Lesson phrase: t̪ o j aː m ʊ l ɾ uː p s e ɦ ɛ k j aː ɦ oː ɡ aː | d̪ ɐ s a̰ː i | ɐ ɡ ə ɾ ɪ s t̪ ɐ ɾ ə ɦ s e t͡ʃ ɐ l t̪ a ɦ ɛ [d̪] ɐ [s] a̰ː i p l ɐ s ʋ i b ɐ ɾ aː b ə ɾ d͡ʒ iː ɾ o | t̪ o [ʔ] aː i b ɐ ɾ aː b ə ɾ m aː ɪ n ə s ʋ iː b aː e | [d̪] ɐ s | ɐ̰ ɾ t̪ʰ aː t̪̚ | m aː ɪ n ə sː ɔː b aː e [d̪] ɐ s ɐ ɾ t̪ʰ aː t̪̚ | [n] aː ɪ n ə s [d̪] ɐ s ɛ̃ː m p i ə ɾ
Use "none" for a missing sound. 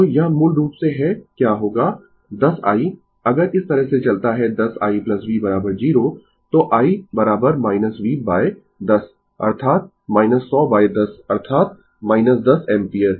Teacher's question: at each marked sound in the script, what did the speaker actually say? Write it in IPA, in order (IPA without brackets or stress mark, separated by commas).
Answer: d̪, s, ʔ, d̪, d̪, m, d̪